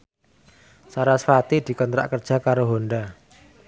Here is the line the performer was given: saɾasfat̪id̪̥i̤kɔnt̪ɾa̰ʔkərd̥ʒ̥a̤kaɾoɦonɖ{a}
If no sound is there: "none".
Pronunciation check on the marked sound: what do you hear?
a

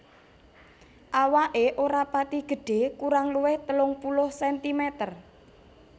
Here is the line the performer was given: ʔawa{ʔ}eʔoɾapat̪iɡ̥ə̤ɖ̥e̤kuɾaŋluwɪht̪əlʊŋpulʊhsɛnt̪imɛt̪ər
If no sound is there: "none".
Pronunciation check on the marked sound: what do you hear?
ʔ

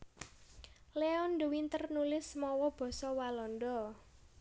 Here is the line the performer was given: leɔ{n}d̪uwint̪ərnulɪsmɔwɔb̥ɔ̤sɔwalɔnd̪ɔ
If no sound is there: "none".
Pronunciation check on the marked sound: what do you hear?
n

